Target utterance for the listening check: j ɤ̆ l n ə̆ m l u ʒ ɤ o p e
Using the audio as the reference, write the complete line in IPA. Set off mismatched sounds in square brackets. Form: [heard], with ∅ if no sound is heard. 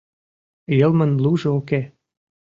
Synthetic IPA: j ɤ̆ l [m] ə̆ [n] l u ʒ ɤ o [k] e